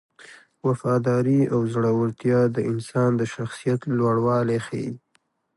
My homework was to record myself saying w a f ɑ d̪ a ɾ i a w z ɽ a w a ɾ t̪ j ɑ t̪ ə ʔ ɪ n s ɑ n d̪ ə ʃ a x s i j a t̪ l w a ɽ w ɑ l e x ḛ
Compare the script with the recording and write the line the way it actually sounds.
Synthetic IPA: w a f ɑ d̪ ɑ ɾ i a w z ɽ a w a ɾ t̪ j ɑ d̪ ə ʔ ɪ n s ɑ n d̪ ə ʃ a x s i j a t̪ l w a ɽ w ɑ l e x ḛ